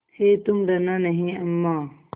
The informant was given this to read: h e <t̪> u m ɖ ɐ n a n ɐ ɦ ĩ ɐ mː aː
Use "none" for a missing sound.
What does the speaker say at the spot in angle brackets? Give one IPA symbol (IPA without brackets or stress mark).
t̪